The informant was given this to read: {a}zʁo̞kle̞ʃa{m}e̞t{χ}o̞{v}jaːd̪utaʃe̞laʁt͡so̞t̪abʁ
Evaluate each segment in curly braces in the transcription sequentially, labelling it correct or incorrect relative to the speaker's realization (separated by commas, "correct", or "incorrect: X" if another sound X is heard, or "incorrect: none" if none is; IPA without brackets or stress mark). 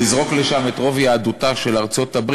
incorrect: i, correct, incorrect: ʁ, correct